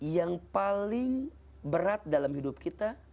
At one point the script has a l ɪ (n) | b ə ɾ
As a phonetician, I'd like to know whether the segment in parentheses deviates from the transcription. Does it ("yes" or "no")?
yes